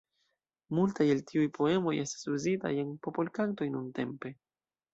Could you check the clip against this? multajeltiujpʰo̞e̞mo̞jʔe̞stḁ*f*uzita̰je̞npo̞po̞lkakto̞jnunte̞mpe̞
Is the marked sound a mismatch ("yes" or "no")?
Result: yes